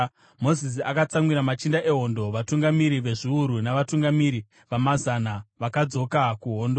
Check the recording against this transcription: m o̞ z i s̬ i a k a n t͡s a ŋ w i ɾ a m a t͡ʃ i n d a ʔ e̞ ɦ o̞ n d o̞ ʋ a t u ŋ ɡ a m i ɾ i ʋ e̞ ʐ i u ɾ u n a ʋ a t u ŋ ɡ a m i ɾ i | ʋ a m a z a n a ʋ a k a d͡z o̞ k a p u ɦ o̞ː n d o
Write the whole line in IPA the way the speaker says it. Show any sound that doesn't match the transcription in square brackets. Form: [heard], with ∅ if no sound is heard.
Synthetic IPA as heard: m o̞ z i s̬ i a k a [∅] t͡s a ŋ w i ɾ a m a t͡ʃ i n d a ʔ e̞ ɦ o̞ n d o̞ ʋ a t u ŋ ɡ a m i ɾ i ʋ e̞ ʐ i u ɾ u n a ʋ a t u ŋ ɡ a m i ɾ i | ʋ a m a z a n a ʋ a k a d͡z o̞ k a [k] u ɦ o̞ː n d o